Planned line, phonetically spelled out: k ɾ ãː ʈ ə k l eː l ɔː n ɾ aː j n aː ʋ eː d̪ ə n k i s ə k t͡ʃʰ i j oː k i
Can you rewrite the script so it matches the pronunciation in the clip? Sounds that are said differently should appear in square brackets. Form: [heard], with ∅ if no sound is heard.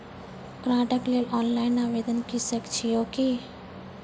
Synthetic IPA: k ɾ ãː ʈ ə k l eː l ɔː n [l] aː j n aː ʋ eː d̪ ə n k i s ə k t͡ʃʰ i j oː k i

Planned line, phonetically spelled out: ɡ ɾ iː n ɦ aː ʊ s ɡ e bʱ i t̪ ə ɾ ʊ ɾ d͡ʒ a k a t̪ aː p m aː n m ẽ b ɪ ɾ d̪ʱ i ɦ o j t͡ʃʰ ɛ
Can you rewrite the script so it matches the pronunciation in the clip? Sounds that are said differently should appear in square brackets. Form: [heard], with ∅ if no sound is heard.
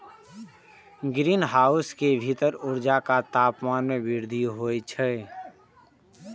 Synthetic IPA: ɡ ɾ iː n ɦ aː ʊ s [k] e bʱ i t̪ ə ɾ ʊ ɾ d͡ʒ a k a t̪ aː p m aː n m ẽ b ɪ ɾ d̪ʱ i ɦ o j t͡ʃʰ ɛ

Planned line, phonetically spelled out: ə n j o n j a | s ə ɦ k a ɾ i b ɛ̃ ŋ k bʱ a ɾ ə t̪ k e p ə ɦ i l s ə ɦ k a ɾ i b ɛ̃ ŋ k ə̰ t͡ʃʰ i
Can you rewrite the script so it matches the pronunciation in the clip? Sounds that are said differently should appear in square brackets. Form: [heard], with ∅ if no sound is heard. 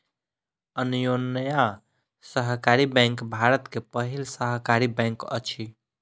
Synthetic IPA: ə n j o n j a | s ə ɦ k a ɾ i b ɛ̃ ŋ k bʱ a ɾ ə t̪ k e p ə ɦ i l s ə ɦ k a ɾ i b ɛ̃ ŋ k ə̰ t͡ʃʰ i

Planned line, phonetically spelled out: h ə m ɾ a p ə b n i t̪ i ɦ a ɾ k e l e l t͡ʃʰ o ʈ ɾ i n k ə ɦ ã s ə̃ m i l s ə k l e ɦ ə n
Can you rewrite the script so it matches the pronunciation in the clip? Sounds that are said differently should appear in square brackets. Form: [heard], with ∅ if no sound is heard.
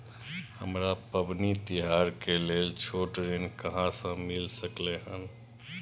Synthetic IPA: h ə m ɾ a p ə b n i t̪ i ɦ a ɾ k e l e l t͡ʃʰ o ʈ ɾ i n k ə ɦ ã s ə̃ m i l s ə k l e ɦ ə n

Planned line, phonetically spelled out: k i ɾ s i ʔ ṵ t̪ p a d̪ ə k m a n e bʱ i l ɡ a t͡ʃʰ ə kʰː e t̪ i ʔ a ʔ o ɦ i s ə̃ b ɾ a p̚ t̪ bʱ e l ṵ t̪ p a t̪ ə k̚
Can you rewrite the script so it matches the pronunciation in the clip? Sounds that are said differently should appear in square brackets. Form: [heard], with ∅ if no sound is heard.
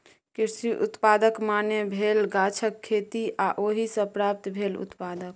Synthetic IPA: k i ɾ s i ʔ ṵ t̪ p a d̪ ə k m a n e bʱ [e] l ɡ a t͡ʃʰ ə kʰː e t̪ i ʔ a ʔ o ɦ i s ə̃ [p] ɾ a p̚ t̪ bʱ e l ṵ t̪ p a [d̪] ə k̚

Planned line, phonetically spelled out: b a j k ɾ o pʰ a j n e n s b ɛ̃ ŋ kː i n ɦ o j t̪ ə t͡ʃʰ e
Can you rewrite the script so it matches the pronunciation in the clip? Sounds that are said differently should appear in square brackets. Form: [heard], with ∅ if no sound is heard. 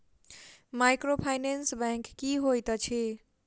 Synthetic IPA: [m] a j k ɾ o pʰ a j n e n s b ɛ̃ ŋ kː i [∅] ɦ o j t̪ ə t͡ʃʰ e

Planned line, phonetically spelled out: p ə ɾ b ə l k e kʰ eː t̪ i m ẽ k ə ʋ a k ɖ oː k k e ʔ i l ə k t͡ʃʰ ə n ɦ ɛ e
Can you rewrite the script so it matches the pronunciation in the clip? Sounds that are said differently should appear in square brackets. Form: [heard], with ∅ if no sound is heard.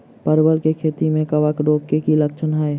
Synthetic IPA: p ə ɾ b ə l k e kʰ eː t̪ i m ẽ k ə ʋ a k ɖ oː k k e [k] i l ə k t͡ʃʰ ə n ɦ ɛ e

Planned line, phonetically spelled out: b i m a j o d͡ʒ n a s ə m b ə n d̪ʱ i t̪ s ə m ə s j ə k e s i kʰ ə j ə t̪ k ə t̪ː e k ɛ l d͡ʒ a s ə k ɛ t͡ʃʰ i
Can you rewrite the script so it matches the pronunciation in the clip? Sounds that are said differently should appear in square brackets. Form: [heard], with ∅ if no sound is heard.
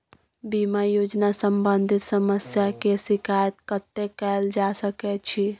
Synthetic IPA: b i m a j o d͡ʒ n a s ə m b ə n d̪ʱ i t̪ s ə m ə s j [a] k e s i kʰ [a] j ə t̪ k ə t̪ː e k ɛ l d͡ʒ a s ə k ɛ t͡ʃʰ i

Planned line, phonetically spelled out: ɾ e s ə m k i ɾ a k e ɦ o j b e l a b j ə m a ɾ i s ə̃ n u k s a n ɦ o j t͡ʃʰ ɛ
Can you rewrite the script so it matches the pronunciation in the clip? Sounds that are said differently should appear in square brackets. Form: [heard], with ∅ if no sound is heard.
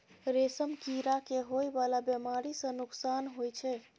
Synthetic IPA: ɾ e s ə m k i ɾ a k e ɦ o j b [a] l a b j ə m a ɾ i s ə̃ n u k s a n ɦ o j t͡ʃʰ ɛ

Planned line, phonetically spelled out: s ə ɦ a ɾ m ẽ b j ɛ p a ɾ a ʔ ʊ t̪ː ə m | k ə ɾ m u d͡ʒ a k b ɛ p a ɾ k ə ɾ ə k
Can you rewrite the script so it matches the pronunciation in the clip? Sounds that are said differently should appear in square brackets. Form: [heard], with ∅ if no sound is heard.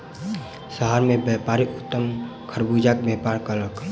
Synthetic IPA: s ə ɦ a ɾ m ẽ b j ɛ p a ɾ [i] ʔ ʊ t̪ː ə m | [kʰ] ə ɾ [b] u d͡ʒ a k b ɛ p a ɾ k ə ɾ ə k

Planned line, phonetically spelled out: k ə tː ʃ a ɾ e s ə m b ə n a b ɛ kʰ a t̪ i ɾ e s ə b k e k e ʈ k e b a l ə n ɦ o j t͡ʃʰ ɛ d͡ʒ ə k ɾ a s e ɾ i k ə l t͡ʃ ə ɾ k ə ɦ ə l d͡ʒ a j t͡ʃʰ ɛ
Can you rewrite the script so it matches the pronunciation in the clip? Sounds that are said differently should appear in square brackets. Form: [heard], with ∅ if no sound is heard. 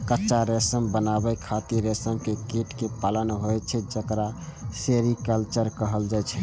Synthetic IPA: k ə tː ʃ a ɾ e s ə m b ə n a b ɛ kʰ a t̪ i ɾ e s ə [m] k e k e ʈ k e [p] a l ə n ɦ o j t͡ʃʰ ɛ d͡ʒ ə k ɾ a s e ɾ i k ə l t͡ʃ ə ɾ k ə ɦ ə l d͡ʒ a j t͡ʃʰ ɛ

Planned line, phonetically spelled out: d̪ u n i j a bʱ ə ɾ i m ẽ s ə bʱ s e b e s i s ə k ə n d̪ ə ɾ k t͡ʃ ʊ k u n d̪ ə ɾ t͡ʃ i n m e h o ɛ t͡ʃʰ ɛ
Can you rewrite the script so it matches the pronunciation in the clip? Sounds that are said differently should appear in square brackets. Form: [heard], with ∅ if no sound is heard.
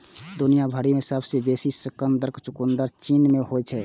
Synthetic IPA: d̪ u n i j a bʱ ə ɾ i m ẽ s ə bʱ s e b e s i s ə k ə n d̪ ə ɾ k t͡ʃ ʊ k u n d̪ ə ɾ t͡ʃ i n m e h o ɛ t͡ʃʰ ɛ

